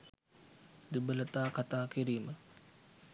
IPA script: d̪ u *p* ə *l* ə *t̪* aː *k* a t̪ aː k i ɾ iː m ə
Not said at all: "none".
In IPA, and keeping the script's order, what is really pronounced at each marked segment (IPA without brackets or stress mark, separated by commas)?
b, l, t̪, k